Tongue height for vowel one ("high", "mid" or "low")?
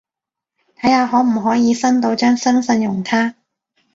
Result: low